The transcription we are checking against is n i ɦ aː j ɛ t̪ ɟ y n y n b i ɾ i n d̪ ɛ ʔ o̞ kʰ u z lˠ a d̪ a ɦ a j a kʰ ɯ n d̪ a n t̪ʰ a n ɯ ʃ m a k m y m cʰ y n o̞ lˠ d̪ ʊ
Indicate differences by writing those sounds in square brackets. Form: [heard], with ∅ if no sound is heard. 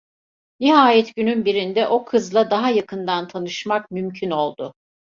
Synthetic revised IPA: n i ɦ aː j ɛ t̪ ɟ y n y n b i ɾ i n d̪ ɛ ʔ o̞ kʰ [ɯ] z lˠ a d̪ a ɦ a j a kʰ ɯ n d̪ a n t̪ʰ a n ɯ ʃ m a k m y m cʰ y n o̞ lˠ d̪ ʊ